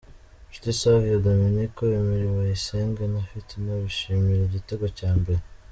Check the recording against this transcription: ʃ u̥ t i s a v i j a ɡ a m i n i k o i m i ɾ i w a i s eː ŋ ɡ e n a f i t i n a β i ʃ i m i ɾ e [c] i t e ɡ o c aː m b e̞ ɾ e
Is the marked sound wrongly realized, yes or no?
yes